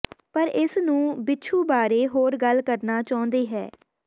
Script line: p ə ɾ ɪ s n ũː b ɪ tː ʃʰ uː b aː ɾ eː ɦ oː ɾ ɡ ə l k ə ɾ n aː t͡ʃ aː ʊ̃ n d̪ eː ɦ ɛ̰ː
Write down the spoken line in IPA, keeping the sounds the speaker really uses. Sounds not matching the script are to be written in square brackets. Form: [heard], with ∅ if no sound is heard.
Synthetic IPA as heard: p ə ɾ ɪ s n ũː b ɪ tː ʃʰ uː b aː ɾ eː ɦ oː ɾ ɡ ə l k ə ɾ n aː t͡ʃ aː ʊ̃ n d̪ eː ɦ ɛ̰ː